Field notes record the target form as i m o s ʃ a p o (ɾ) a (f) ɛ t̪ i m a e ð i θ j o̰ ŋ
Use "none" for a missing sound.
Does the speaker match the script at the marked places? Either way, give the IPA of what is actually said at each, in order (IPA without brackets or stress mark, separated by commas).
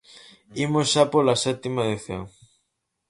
l, s